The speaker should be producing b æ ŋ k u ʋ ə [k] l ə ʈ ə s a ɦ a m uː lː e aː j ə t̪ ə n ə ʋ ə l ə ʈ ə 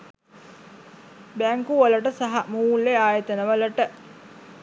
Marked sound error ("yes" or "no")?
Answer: yes